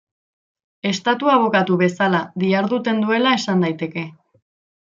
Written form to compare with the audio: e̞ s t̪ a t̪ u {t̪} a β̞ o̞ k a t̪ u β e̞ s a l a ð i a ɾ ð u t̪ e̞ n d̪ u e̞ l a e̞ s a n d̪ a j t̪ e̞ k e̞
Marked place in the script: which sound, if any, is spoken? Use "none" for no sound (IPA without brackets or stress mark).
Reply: none